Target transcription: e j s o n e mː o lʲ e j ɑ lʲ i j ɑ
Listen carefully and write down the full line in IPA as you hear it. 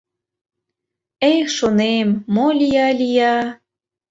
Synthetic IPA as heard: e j ʃ o n e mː o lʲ i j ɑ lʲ i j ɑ